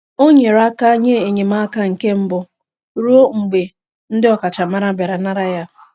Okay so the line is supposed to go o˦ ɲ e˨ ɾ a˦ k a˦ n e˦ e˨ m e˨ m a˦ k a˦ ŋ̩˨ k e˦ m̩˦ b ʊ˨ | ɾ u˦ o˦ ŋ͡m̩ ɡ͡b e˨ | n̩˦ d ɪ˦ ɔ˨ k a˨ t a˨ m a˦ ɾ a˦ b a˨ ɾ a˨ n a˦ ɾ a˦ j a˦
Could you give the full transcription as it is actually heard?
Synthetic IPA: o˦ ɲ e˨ ɾ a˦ k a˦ ɲ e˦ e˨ ɲ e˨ m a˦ k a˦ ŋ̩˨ k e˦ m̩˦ b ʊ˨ | ɾ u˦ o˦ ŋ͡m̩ ɡ͡b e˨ | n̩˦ d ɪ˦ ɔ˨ k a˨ t͡ʃ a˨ m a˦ ɾ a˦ b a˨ ɾ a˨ n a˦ ɾ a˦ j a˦